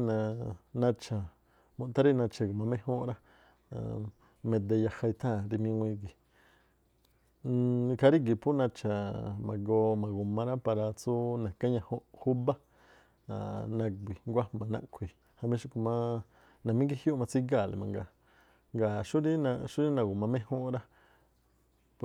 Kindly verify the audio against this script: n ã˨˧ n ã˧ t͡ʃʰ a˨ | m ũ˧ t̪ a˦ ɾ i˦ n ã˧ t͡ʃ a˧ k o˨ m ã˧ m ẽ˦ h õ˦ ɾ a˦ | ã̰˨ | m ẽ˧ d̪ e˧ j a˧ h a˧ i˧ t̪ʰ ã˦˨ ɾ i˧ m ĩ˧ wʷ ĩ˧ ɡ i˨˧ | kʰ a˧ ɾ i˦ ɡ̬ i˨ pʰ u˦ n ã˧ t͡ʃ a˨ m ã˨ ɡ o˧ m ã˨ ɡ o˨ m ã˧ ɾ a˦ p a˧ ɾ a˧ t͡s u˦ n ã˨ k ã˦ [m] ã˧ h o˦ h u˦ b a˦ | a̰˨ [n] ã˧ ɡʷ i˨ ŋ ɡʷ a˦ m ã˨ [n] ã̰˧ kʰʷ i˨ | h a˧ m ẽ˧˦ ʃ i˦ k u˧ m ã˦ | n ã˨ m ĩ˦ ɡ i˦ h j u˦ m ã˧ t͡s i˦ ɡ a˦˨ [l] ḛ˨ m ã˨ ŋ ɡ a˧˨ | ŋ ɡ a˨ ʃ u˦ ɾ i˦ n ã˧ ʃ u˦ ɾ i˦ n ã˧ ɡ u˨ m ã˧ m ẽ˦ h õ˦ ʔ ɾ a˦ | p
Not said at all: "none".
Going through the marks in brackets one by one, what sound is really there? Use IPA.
ɲ, n, n, l

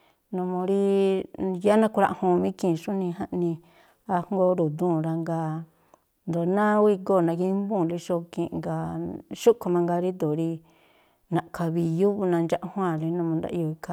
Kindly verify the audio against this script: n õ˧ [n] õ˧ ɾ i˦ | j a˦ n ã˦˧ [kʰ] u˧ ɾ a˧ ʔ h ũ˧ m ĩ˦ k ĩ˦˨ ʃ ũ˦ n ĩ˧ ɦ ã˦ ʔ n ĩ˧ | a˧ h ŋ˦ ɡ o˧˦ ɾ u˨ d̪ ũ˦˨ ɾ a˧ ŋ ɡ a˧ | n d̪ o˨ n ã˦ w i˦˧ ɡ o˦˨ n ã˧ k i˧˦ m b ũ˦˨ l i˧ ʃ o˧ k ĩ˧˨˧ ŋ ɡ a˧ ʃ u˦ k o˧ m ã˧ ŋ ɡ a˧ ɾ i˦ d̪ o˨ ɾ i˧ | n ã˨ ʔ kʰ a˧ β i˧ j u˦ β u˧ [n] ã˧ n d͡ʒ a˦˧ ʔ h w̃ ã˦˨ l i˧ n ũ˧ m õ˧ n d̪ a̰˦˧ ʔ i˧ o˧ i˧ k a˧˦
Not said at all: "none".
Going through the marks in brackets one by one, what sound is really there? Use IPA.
m, k, n

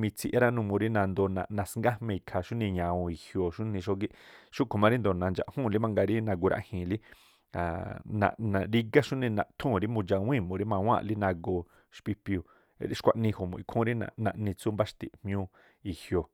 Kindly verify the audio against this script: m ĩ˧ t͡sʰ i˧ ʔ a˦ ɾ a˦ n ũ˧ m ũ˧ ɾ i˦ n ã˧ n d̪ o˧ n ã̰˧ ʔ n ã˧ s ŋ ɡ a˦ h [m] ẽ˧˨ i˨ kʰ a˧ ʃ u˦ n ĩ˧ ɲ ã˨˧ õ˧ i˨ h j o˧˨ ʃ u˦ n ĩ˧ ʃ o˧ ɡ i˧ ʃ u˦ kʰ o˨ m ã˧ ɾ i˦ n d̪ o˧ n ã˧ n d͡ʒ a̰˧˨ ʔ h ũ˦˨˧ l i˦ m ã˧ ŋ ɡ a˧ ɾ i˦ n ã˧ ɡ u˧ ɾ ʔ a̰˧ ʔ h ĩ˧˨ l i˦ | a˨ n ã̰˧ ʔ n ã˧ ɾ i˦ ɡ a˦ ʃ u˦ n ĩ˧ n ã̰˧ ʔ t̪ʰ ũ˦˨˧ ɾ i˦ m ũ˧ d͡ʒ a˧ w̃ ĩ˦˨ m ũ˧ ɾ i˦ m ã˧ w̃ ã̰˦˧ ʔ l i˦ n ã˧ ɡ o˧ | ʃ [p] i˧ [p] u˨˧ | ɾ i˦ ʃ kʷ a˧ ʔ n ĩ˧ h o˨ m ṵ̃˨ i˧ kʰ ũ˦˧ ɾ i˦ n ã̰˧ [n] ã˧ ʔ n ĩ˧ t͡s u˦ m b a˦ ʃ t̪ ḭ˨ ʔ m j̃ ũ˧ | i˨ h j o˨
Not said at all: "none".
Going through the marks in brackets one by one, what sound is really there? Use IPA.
m, p, p, n

